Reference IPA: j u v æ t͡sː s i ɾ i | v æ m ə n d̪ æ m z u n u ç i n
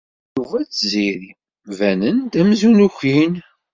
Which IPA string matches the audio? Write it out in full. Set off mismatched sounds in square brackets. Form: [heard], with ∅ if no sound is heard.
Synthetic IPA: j u v æ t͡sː [z] i ɾ i | v æ [n] ə n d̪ æ m z u n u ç i n